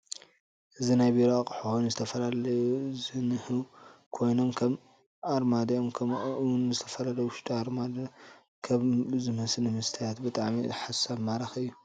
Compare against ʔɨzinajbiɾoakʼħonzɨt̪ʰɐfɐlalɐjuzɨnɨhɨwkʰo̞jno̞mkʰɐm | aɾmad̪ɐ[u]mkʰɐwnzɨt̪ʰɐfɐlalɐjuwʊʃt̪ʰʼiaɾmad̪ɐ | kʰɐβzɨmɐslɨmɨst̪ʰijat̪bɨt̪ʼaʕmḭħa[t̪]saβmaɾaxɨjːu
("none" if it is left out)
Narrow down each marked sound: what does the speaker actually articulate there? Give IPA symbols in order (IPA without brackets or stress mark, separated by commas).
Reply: o, none